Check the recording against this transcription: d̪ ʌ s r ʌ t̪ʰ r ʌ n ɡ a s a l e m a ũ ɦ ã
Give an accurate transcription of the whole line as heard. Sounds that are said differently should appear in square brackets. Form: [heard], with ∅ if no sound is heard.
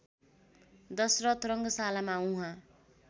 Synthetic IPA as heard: d̪ ʌ s r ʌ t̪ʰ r ʌ [ŋ] ɡ [ʌ] s a l [a] m a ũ ɦ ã